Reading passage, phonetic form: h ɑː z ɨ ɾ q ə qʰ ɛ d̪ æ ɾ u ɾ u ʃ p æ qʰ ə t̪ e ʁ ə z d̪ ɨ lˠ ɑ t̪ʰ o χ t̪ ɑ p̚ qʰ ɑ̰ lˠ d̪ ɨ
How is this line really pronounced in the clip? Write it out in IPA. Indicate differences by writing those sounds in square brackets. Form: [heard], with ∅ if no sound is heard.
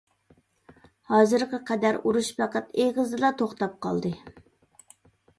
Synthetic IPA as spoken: h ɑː z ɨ ɾ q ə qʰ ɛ d̪ æ ɾ u ɾ u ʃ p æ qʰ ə t̪ e ʁ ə z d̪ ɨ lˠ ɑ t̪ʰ o χ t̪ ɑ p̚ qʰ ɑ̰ lˠ d̪ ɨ